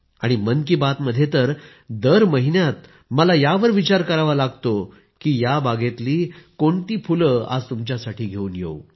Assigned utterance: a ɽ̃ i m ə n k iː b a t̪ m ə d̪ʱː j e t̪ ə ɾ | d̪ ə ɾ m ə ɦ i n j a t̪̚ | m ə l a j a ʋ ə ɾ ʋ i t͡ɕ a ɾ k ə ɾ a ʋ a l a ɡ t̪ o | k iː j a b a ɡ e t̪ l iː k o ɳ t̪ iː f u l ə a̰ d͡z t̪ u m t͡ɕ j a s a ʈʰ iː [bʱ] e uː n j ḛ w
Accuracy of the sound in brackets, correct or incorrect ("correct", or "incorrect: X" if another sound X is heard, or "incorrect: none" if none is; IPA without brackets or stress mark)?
incorrect: ɡʱ